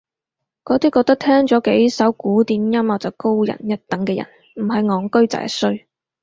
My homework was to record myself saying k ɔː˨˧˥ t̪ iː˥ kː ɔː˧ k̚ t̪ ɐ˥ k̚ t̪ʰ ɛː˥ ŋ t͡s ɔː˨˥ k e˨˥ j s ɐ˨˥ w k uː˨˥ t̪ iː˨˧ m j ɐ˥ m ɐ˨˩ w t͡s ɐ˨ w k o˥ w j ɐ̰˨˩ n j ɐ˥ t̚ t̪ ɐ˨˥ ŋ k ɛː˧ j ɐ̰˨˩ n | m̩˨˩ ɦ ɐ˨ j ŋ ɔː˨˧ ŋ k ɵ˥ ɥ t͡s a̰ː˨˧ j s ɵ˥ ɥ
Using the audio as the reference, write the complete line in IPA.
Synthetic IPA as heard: k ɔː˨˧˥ t̪ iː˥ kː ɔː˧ k̚ t̪ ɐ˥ k̚ t̪ʰ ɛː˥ ŋ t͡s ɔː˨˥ k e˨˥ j s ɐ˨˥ w k uː˨˥ t̪ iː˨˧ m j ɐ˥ m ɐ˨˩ w t͡s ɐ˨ w k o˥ w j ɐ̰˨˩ n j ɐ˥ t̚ t̪ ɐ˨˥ ŋ k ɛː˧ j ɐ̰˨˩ n | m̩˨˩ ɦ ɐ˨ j ŋ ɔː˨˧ ŋ k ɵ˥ ɥ t͡s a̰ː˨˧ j s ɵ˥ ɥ

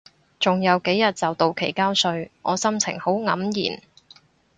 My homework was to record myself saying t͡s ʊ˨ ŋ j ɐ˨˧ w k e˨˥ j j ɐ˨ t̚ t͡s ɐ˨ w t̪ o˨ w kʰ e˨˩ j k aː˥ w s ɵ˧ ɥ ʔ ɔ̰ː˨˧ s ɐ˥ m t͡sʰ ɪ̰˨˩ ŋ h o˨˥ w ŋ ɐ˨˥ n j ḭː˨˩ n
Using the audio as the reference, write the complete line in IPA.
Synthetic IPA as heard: t͡s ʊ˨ ŋ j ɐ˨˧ w k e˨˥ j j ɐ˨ t̚ t͡s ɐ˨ w t̪ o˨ w kʰ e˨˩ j k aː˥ w s ɵ˧ ɥ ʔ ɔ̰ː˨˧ s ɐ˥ m t͡sʰ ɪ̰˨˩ ŋ h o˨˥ w ŋ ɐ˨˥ m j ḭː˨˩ n

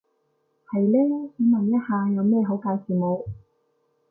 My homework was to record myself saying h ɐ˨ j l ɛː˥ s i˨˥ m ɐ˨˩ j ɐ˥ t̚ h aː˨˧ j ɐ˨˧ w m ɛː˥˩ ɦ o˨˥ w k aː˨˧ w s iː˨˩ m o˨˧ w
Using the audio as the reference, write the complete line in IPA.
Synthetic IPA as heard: h ɐ˨ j l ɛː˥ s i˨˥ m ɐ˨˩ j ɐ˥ t̚ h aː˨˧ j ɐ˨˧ w m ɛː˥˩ ɦ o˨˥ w k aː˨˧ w s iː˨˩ m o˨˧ w

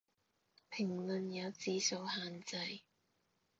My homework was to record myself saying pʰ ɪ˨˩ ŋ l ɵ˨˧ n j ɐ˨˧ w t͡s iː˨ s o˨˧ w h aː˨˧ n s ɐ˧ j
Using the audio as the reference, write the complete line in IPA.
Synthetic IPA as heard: pʰ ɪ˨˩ ŋ l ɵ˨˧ n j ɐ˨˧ w t͡s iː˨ s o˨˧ w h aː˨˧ n t͡s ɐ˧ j

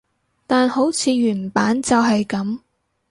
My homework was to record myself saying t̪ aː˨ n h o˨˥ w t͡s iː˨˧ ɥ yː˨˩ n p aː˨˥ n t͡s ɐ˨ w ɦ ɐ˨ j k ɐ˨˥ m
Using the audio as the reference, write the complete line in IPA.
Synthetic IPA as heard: t̪ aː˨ n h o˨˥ w t͡sʰ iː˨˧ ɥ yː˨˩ n p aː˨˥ n t͡s ɐ˨ w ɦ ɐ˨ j k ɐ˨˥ m

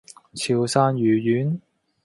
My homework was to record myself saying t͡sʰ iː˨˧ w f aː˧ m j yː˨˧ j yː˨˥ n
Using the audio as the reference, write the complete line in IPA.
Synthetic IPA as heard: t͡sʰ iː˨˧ w s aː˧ n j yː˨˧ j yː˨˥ n

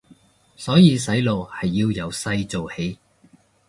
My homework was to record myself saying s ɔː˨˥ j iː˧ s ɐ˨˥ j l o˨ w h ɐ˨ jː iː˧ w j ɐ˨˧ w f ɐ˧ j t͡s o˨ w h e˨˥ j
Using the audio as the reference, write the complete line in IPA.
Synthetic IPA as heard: s ɔː˨˥ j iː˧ s ɐ˨˥ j l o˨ w h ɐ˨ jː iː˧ w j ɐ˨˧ w s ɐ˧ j t͡s o˨ w h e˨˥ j

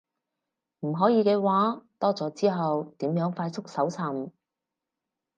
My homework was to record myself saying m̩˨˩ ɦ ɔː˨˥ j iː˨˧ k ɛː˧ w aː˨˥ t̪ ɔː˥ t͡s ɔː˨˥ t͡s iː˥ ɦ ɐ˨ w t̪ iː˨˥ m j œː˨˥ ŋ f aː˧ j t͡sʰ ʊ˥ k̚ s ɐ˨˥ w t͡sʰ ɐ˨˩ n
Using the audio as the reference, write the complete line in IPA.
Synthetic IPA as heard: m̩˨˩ ɦ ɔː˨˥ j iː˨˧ k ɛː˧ w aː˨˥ t̪ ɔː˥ t͡s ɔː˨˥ t͡s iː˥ ɦ ɐ˨ w t̪ iː˨˥ m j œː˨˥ ŋ f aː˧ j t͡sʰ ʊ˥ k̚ s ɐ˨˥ w t͡sʰ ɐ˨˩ m

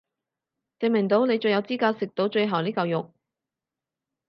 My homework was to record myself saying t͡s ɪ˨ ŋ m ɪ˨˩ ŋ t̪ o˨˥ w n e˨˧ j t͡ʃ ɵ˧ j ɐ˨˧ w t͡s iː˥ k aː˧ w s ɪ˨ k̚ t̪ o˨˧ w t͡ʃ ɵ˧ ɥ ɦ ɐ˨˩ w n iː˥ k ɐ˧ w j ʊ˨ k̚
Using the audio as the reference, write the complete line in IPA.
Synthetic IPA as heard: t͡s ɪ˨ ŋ m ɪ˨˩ ŋ t̪ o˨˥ w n e˨˧ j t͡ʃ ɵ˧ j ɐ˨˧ w t͡s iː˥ k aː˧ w s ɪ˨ k̚ t̪ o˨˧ w t͡ʃ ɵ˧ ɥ ɦ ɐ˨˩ w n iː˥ k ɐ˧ w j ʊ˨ k̚

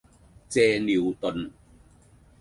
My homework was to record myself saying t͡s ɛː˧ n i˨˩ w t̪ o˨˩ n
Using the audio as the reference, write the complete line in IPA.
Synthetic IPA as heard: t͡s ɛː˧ n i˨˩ w t̪ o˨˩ n

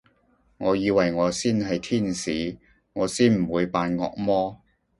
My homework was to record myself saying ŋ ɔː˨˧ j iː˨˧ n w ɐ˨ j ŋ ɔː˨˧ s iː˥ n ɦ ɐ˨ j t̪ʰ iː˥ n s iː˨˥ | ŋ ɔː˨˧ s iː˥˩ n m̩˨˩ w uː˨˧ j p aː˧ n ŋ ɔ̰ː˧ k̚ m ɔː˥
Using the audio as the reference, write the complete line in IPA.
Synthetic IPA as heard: ŋ ɔː˨˧ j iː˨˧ w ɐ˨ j ŋ ɔː˨˧ s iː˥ n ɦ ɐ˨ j t̪ʰ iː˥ n s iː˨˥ | ŋ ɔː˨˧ s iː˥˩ n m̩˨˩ w uː˨˧ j p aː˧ n ŋ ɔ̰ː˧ k̚ m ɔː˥

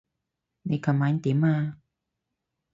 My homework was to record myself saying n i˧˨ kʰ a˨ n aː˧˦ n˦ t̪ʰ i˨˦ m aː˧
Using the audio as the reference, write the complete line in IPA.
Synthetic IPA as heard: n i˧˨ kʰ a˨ m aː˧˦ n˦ t̪ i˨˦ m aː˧

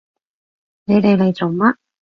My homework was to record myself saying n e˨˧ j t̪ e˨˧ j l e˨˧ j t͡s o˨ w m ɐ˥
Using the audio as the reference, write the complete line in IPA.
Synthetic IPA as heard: n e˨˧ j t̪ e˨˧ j l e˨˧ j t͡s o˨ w m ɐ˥

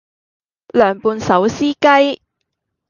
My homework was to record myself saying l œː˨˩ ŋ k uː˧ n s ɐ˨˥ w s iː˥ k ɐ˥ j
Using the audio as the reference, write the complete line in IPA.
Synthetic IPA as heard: l œː˨˩ ŋ p uː˧ n s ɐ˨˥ w s iː˥ k ɐ˥ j

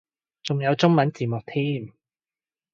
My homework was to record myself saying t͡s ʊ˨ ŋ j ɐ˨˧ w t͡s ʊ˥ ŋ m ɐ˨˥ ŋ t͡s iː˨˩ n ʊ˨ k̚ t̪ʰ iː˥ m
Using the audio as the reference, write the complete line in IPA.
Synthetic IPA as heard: t͡s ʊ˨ ŋ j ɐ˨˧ w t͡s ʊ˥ ŋ m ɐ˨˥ n t͡s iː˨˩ m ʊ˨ k̚ t̪ʰ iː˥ m

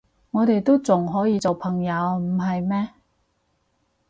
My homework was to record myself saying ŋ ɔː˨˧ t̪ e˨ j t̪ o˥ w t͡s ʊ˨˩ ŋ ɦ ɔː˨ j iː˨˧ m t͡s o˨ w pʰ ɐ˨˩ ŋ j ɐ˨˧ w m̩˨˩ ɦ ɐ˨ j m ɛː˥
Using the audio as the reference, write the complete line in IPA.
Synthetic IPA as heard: ŋ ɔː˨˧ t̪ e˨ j t̪ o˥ w t͡s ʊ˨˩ ŋ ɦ ɔː˨˥ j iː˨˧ t͡s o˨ w pʰ ɐ˨˩ ŋ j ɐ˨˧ w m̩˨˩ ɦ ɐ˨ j m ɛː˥

